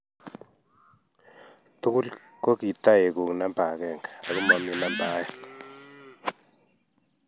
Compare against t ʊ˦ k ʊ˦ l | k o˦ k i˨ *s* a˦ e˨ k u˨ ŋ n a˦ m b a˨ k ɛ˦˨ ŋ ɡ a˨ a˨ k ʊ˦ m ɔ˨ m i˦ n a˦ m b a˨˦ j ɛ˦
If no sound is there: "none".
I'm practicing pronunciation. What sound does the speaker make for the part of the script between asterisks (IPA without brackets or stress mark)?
t